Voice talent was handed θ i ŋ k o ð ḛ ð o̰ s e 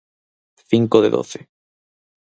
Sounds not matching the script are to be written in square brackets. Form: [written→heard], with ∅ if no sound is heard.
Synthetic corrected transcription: θ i ŋ k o ð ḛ ð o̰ [s→θ] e